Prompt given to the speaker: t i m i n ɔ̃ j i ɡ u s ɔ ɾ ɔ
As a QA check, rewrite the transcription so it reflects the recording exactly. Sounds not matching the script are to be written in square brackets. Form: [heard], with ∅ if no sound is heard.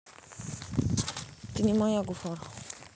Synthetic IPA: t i [n] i [m] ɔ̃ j [a] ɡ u [f] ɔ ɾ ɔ